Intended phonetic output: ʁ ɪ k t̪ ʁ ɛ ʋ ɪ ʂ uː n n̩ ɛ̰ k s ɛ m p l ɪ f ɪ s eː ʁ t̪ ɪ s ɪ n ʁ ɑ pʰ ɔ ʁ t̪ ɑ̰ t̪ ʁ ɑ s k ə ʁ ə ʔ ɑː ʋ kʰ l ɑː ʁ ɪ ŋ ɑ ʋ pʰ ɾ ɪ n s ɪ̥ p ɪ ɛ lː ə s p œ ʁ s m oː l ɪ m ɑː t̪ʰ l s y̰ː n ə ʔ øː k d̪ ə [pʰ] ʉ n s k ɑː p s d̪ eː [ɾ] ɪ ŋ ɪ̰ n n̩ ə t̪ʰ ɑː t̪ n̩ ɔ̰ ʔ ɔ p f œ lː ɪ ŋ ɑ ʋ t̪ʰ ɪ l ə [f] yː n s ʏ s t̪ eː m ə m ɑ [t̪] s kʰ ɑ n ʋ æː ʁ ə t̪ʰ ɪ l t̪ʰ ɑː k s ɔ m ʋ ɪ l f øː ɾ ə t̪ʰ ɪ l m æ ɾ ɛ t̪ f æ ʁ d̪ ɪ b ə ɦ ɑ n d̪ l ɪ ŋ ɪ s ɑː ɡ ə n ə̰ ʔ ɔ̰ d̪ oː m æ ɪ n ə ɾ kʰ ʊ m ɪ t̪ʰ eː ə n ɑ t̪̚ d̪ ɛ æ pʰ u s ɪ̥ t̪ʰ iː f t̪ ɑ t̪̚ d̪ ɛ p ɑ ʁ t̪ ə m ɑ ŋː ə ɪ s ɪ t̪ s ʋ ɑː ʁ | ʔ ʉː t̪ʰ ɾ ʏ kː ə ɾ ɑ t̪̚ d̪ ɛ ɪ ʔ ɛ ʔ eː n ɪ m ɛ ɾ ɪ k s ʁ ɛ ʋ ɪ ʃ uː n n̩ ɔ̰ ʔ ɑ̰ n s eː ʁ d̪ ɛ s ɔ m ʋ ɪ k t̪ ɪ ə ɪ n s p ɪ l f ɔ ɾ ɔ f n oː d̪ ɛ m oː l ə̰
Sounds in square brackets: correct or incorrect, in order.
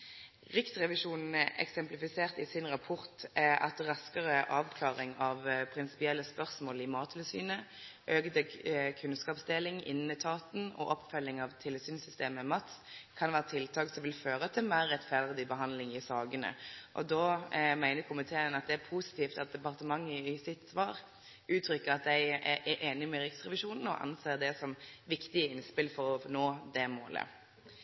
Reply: incorrect: kʰ, incorrect: l, incorrect: s, correct

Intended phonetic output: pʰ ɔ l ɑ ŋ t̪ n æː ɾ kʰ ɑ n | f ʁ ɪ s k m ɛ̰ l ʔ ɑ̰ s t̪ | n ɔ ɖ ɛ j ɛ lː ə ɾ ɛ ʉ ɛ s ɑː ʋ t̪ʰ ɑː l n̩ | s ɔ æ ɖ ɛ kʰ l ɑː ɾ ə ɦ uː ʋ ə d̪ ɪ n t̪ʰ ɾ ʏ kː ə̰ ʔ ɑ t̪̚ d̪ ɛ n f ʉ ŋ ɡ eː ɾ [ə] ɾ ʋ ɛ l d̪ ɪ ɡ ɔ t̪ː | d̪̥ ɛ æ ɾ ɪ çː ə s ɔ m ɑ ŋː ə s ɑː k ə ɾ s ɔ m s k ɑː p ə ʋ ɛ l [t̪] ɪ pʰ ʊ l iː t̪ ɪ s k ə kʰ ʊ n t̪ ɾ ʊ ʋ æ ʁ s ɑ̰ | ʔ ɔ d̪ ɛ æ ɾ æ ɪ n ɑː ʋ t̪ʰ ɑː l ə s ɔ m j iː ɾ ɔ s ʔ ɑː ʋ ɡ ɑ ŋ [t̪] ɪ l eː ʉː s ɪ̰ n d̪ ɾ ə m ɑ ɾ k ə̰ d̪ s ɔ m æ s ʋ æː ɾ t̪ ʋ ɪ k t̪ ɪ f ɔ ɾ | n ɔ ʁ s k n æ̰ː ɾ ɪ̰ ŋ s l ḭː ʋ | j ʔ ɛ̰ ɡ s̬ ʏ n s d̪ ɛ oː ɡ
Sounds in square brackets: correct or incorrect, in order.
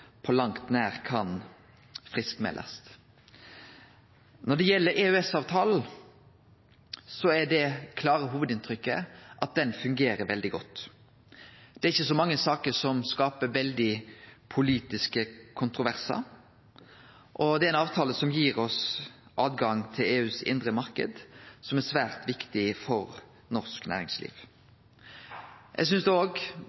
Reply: correct, incorrect: d̪, incorrect: t̪ʰ

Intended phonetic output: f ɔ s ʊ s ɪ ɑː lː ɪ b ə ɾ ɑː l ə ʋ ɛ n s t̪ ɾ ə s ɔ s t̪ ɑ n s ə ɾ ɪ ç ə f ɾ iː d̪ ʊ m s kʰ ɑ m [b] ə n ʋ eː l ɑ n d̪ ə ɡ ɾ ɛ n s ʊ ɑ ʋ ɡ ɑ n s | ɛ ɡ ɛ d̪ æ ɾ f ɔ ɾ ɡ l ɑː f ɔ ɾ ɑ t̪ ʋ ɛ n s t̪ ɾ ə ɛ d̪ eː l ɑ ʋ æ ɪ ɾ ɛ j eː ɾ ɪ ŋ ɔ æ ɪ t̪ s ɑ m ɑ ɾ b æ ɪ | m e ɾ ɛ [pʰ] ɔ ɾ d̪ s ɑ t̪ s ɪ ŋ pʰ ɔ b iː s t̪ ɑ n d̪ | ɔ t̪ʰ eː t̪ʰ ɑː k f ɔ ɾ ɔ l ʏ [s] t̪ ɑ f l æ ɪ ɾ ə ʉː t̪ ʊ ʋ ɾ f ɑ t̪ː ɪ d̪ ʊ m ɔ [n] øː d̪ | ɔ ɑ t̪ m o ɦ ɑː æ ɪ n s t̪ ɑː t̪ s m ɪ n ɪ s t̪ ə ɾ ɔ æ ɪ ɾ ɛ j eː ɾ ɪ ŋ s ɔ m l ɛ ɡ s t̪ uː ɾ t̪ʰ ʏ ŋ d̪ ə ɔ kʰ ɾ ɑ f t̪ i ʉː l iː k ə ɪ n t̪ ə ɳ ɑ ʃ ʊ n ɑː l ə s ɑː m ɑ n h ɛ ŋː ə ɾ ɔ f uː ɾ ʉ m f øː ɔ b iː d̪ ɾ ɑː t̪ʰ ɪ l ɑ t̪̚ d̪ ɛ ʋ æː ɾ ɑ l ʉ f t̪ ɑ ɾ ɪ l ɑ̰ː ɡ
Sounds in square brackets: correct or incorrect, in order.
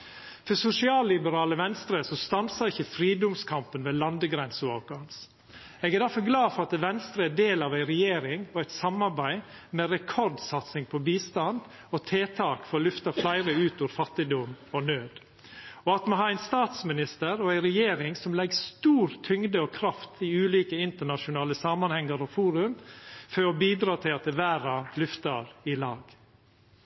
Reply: incorrect: p, incorrect: kʰ, incorrect: f, correct

